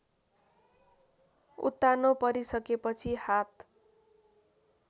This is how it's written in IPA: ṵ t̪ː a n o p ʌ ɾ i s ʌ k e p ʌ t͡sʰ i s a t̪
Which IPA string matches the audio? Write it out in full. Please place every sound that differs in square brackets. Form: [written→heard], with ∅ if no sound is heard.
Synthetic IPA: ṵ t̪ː a n o p ʌ ɾ i s ʌ k e p ʌ t͡sʰ i [s→h] a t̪